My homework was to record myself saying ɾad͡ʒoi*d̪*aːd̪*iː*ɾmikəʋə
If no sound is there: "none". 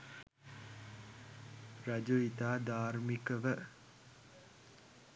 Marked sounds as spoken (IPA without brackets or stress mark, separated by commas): t̪, aː